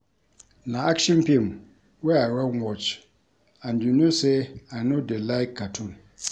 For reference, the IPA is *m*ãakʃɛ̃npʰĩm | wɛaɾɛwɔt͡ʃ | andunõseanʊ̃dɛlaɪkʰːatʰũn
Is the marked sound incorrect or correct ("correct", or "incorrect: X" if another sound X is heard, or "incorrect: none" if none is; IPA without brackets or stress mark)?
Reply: incorrect: n